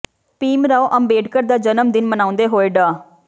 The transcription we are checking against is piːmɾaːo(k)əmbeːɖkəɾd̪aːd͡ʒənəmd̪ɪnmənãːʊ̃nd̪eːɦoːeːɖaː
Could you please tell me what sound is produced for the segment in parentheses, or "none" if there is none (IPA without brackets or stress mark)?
ʔ